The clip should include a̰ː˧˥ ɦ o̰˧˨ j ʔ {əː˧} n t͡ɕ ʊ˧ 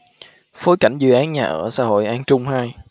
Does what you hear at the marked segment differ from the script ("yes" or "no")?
yes